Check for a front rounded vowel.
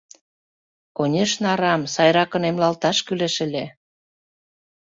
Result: present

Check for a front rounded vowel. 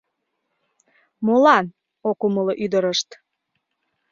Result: present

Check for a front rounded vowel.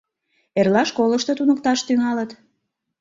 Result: present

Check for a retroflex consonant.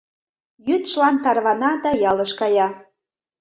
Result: absent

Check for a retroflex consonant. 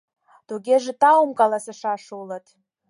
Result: present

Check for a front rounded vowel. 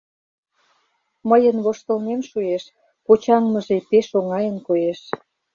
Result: absent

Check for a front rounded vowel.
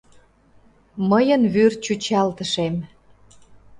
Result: present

